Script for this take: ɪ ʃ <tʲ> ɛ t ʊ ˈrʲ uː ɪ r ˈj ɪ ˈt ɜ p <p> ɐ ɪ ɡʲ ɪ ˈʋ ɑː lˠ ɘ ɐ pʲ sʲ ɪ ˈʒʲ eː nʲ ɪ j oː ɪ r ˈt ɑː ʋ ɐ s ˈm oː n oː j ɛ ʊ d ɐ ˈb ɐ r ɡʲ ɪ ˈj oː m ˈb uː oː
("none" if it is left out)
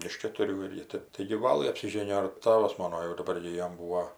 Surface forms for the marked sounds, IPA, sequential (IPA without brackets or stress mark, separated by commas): kʲ, t